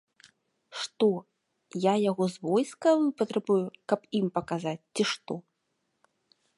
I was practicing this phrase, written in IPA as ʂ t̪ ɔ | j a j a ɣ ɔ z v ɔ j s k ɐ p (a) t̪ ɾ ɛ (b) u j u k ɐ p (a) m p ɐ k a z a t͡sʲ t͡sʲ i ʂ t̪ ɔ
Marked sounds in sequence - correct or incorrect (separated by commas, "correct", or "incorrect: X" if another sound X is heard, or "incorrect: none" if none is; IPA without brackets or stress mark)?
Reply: incorrect: ɐ, correct, incorrect: i